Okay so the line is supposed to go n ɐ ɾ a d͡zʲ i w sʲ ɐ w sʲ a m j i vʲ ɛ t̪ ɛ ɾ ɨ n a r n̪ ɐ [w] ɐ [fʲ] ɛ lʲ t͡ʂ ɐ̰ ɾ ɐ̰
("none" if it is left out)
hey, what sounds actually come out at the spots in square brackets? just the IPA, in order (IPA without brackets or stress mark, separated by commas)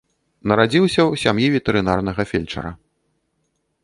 ɣ, fʲ